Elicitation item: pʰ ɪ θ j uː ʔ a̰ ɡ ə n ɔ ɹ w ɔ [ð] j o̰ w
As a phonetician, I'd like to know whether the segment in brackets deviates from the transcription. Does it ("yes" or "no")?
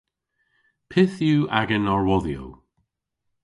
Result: no